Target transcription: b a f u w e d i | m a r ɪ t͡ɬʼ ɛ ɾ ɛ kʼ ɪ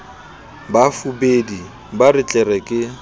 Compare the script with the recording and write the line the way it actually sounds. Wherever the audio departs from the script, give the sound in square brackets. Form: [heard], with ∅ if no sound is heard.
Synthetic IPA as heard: b a f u [b] e d i | [b] a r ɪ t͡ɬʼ ɛ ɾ ɛ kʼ ɪ